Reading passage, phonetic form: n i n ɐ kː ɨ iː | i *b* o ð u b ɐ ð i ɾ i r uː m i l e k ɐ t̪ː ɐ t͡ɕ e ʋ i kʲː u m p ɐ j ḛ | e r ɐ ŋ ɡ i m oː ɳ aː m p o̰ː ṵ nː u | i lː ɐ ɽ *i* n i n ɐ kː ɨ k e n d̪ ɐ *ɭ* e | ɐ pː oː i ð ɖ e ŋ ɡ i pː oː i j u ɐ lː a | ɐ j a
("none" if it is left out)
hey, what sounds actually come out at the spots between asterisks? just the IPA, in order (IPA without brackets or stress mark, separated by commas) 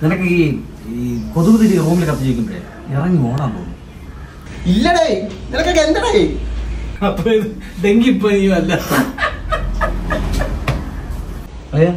p, e, ɽ